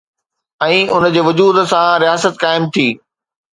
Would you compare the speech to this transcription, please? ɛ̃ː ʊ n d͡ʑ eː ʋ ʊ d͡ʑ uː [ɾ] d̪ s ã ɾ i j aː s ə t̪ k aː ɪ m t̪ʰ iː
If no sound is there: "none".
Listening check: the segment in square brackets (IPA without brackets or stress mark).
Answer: none